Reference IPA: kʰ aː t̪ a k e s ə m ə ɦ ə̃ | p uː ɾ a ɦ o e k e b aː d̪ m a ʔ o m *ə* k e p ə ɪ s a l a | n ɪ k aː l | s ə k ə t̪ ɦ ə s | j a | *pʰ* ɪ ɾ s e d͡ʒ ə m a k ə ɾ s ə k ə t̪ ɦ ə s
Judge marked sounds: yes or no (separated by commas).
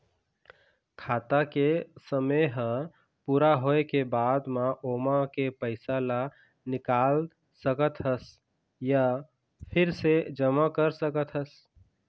no, yes